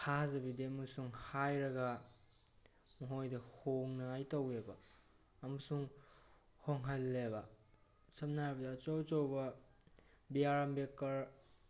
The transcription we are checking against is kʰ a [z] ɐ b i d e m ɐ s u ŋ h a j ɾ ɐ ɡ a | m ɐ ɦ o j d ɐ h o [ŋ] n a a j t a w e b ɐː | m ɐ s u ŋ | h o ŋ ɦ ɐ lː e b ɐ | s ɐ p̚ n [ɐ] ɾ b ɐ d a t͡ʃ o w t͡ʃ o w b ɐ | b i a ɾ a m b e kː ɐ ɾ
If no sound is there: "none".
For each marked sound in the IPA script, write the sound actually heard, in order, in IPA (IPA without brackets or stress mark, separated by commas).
z, ŋ, a